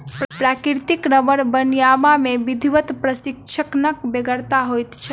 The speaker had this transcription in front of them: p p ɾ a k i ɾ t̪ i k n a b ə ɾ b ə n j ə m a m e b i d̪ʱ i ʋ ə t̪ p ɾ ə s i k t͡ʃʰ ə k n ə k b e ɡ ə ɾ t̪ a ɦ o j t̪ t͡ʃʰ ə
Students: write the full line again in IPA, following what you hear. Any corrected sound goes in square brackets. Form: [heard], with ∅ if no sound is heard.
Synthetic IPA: p p ɾ a k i ɾ t̪ i k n [ə] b ə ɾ b ə n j [a] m a m e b i d̪ʱ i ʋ ə t̪ p ɾ ə s i k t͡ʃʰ ə k n ə k b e ɡ ə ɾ t̪ a ɦ o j t̪ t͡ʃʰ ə